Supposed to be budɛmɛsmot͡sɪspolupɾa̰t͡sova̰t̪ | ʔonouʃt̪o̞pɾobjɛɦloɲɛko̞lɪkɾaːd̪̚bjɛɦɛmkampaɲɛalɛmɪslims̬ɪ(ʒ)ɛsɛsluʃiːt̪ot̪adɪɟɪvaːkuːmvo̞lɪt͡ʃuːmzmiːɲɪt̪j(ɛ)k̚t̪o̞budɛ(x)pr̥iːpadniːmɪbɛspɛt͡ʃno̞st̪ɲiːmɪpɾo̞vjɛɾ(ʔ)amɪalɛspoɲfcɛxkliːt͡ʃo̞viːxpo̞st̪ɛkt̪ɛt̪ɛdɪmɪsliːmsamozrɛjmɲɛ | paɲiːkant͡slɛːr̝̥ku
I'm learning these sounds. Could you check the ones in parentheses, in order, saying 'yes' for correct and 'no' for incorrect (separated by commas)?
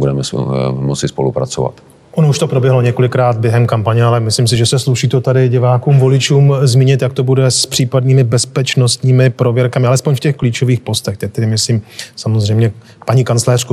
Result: yes, no, no, no